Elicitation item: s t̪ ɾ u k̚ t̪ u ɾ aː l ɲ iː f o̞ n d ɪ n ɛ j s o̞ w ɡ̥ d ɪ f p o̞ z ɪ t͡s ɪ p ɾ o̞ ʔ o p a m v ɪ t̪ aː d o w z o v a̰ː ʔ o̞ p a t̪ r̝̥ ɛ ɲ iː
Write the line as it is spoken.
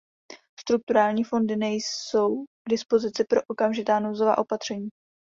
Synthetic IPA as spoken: s t̪ ɾ u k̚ t̪ u ɾ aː l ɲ iː f o̞ n d ɪ n ɛ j s o̞ w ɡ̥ d ɪ s p o̞ z ɪ t͡s ɪ p ɾ o̞ ʔ o k a m ʒ ɪ t̪ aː n o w z o v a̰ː ʔ o̞ p a t̪ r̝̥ ɛ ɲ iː